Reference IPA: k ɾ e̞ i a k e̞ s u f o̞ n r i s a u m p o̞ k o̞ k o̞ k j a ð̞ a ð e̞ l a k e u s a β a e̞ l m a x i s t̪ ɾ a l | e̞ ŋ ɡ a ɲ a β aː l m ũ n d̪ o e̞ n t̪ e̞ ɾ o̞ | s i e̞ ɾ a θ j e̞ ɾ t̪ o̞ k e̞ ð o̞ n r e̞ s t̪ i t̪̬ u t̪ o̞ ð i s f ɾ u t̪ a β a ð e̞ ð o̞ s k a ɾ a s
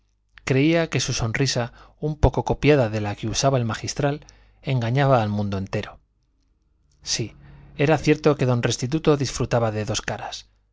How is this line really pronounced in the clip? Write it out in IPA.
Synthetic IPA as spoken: k ɾ e̞ i a k e̞ s u s o̞ n r i s a u m p o̞ k o̞ k o̞ p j a ð̞ a ð e̞ l a k e u s a β a e̞ l m a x i s t̪ ɾ a l | e̞ ŋ ɡ a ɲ a β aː l m ũ n d̪ o e̞ n t̪ e̞ ɾ o̞ | s i e̞ ɾ a θ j e̞ ɾ t̪ o̞ k e̞ ð o̞ n r e̞ s t̪ i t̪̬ u t̪ o̞ ð i s f ɾ u t̪ a β a ð e̞ ð o̞ s k a ɾ a s

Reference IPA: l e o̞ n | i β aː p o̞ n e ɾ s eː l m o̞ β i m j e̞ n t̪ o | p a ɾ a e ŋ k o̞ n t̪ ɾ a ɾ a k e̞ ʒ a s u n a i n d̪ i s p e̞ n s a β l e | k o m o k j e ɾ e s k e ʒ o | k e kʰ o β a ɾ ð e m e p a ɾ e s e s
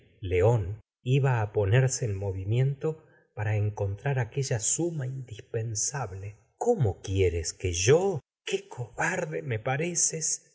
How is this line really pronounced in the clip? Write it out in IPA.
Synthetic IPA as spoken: l e o̞ n | i β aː p o̞ n e ɾ s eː l m o̞ β i m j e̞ n t̪ o | p a ɾ a e ŋ k o̞ n t̪ ɾ a ɾ a k e̞ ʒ a s u m a i n d̪ i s p e̞ n s a β l e | k o m o k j e ɾ e s k e ʒ o | k e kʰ o β a ɾ ð e m e p a ɾ e s e s

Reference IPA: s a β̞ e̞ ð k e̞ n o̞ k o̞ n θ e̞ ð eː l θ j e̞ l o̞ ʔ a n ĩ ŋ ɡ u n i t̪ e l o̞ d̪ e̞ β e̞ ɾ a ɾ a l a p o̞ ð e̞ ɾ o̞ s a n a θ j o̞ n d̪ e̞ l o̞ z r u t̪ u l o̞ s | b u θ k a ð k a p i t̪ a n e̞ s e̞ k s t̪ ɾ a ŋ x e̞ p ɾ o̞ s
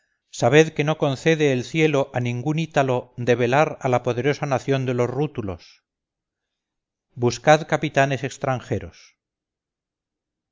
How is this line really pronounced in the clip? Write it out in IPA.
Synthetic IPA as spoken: s a β̞ e̞ ð k e̞ n o̞ k o̞ n θ e̞ ð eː l θ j e̞ l o̞ ʔ a n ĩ ŋ ɡ u n i t̪ a l o̞ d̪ e̞ β e̞ l a ɾ a l a p o̞ ð e̞ ɾ o̞ s a n a θ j o̞ n d̪ e̞ l o̞ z r u t̪ u l o̞ s | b u s k a ð k a p i t̪ a n e̞ s e̞ k s t̪ ɾ a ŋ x e̞ ɾ o̞ s

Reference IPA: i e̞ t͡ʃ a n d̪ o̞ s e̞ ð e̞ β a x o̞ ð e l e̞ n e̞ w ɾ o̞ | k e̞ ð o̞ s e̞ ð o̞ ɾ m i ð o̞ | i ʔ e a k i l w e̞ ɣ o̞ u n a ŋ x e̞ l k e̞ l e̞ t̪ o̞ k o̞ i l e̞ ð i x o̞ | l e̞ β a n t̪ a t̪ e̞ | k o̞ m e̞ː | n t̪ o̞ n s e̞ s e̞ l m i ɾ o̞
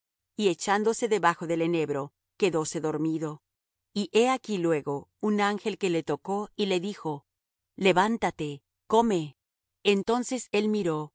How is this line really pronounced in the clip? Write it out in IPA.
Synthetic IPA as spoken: i e̞ t͡ʃ a n d̪ o̞ s e̞ ð e̞ β a x o̞ ð e l e̞ n e̞ β ɾ o̞ | k e̞ ð o̞ s e̞ ð o̞ ɾ m i ð o̞ | i ʔ e a k i l w e̞ ɣ o̞ u n a ŋ x e̞ l k e̞ l e̞ t̪ o̞ k o̞ i l e̞ ð i x o̞ | l e̞ β a n t̪ a t̪ e̞ | k o̞ m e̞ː | n t̪ o̞ n s e̞ s e̞ l m i ɾ o̞

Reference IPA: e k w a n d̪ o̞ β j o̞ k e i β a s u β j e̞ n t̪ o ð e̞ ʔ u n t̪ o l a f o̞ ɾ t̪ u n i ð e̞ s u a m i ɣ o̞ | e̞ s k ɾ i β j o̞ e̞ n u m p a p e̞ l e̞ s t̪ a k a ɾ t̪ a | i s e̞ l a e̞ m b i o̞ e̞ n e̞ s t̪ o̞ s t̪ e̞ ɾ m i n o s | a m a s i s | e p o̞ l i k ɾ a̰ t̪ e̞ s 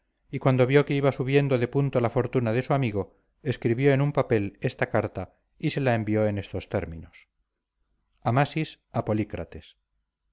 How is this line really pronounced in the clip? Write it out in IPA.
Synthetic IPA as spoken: i k w a n d̪ o̞ β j o̞ k e i β a s u β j e̞ n d̪ o ð e̞ p u n t̪ o l a f o̞ ɾ t̪ u n a ð e̞ s u a m i ɣ o̞ | e̞ s k ɾ i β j o̞ e̞ n u m p a p e̞ l e̞ s t̪ a k a ɾ t̪ a | i s e̞ l a e̞ m b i o̞ e̞ n e̞ s t̪ o̞ s t̪ e̞ ɾ m i n o s | a m a s i s | a p o̞ l i k ɾ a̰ t̪ e̞ s

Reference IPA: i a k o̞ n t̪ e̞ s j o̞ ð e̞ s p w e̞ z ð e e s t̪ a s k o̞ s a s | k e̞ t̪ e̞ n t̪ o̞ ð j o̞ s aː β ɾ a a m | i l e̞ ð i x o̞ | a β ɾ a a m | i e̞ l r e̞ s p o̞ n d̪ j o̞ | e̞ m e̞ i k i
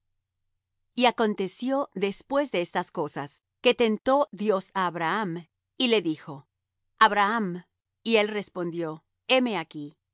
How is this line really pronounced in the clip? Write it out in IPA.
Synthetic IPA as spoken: i a k o̞ n t̪ e̞ s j o̞ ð e̞ s p w e̞ z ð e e s t̪ a s k o̞ s a s | k e̞ t̪ e̞ n t̪ o̞ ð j o̞ s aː β ɾ a a m | i l e̞ ð i x o̞ | a β ɾ a a m | i e̞ l r e̞ s p o̞ n d̪ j o̞ | e̞ m e̞ a k i

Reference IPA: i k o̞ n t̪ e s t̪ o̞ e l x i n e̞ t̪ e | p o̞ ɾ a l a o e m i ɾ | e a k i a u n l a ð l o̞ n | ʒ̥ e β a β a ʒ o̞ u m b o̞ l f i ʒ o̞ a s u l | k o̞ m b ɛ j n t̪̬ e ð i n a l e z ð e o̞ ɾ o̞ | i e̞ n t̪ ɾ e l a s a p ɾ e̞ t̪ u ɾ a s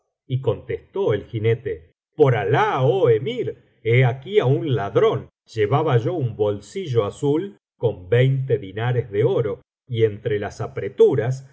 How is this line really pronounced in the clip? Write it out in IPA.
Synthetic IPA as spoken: i k o̞ n t̪ e s t̪ o̞ e l x i n e̞ t̪ e | p o̞ ɾ a l a o e m i ɾ | e a k i a u n l a ð ɾ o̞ n | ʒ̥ e β a β a ʒ o̞ u m b o̞ l s i ʒ o̞ a s u l | k o̞ m b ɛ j n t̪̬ e ð i n a ɾ e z ð e o̞ ɾ o̞ | i e̞ n t̪ ɾ e l a s a p ɾ e̞ t̪ u ɾ a s

